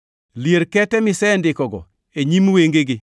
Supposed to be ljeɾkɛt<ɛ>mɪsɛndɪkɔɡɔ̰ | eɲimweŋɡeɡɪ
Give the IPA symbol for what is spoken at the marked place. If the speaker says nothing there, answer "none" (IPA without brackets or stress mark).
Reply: ɛ